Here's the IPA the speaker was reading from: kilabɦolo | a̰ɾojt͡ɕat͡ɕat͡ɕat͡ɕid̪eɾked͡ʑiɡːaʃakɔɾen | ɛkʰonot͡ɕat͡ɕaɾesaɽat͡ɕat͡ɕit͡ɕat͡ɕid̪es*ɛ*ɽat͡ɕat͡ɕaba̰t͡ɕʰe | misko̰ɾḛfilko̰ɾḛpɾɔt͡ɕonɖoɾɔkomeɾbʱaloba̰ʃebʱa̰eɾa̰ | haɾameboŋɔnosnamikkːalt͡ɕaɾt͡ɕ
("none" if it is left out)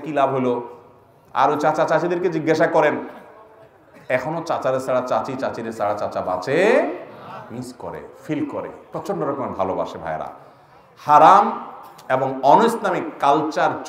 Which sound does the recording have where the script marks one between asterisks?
a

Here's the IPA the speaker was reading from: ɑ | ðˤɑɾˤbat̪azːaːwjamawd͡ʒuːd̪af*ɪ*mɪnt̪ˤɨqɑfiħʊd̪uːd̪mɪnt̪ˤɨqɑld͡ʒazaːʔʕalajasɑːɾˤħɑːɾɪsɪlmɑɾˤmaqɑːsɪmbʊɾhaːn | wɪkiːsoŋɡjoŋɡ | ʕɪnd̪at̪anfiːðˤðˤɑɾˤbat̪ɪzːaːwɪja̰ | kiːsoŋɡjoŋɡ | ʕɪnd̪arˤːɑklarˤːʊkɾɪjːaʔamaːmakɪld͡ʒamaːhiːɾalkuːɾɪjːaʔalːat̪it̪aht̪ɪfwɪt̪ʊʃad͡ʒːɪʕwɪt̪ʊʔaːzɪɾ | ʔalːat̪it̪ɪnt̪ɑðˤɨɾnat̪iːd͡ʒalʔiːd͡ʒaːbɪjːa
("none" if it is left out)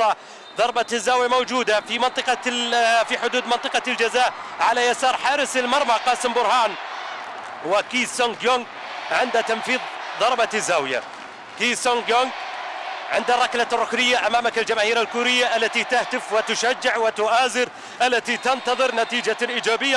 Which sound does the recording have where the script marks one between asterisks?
i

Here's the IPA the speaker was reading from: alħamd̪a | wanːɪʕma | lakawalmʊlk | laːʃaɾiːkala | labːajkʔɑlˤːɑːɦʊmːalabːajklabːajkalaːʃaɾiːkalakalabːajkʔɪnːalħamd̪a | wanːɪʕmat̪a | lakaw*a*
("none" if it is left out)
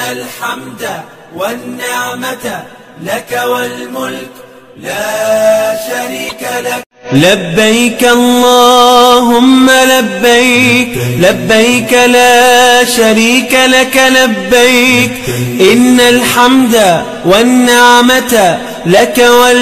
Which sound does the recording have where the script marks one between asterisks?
a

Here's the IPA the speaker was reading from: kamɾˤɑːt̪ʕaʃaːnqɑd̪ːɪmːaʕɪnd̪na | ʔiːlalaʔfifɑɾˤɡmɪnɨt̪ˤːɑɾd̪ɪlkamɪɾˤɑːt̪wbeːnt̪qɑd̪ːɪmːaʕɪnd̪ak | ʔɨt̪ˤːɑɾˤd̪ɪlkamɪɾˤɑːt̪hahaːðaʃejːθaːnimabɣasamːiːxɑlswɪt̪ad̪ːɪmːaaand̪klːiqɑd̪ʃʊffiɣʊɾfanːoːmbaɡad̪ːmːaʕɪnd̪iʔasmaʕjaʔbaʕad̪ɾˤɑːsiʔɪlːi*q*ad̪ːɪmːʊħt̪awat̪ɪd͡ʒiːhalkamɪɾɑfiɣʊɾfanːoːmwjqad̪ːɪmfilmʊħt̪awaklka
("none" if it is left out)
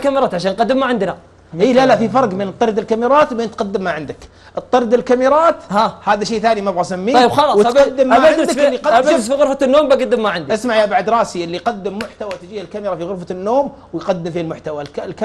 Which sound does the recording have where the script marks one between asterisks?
q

